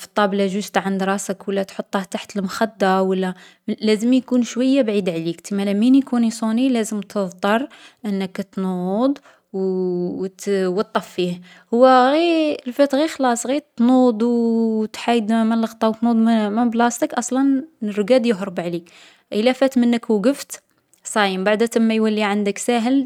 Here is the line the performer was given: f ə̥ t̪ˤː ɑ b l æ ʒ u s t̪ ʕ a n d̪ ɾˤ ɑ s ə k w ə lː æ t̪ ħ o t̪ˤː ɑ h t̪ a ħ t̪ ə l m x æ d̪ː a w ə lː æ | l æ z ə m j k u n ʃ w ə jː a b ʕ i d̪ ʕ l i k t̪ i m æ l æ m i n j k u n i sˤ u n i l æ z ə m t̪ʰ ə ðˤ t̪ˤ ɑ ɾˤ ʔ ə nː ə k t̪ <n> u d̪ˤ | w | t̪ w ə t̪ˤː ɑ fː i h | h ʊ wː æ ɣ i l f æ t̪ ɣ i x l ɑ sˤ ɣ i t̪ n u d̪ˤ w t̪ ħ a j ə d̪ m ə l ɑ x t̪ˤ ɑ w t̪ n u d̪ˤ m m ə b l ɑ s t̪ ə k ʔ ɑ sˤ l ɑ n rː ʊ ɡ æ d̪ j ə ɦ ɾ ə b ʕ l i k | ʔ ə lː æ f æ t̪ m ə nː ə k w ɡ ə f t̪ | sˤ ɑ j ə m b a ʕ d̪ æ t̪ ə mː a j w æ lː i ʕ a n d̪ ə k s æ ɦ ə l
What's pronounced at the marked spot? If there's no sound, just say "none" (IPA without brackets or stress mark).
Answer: n